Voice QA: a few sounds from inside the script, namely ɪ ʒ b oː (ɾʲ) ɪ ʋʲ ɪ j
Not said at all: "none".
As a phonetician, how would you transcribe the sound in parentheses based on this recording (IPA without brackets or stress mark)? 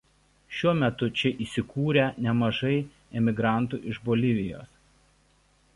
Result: lʲ